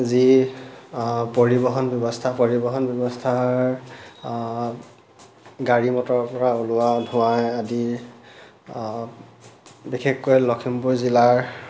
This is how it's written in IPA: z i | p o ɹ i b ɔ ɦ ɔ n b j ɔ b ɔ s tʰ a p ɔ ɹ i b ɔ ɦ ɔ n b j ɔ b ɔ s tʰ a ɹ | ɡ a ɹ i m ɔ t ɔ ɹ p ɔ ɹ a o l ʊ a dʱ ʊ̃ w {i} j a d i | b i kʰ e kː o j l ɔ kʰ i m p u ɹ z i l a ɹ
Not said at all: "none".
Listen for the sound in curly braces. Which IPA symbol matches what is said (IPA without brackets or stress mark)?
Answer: a